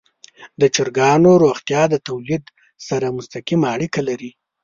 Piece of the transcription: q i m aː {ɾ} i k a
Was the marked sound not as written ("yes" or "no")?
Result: yes